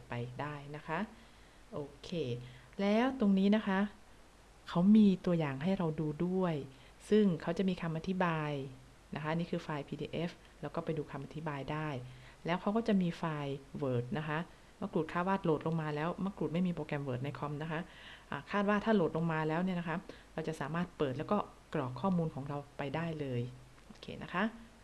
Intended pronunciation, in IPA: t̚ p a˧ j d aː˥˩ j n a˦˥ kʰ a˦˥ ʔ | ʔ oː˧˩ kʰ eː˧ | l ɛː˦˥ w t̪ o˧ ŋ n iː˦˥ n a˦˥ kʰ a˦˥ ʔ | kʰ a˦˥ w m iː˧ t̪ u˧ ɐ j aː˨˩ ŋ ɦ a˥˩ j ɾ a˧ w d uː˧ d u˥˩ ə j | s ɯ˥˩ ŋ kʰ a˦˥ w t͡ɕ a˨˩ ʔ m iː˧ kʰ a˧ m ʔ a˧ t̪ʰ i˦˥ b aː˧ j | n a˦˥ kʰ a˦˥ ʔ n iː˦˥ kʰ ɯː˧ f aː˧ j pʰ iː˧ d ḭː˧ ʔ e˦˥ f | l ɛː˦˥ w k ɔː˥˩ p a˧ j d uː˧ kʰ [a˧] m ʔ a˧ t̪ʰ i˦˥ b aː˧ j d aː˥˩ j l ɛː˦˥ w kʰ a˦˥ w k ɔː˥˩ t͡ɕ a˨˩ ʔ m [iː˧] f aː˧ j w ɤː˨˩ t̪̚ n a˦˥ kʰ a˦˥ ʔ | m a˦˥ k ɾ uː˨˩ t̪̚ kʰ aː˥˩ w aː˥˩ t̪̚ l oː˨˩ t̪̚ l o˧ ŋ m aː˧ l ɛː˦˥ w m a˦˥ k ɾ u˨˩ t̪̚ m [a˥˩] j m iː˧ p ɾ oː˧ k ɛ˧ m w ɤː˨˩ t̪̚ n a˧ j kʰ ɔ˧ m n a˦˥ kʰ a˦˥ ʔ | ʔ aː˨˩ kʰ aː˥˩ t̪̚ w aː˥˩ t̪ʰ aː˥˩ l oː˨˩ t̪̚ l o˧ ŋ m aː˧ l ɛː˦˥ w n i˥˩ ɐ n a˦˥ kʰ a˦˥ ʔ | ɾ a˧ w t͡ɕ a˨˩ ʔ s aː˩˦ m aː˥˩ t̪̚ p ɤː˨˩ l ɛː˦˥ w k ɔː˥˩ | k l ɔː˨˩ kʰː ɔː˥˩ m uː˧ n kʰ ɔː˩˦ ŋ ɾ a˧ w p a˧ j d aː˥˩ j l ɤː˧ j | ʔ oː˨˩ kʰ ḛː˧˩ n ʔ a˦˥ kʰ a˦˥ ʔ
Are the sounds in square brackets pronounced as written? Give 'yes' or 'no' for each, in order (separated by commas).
yes, yes, yes